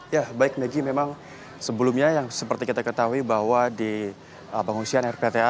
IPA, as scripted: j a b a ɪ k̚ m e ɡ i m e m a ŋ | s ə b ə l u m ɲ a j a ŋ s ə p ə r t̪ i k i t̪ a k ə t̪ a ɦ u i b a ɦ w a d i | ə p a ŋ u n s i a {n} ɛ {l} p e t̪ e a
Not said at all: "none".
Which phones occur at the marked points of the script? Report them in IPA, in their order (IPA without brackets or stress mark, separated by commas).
n, r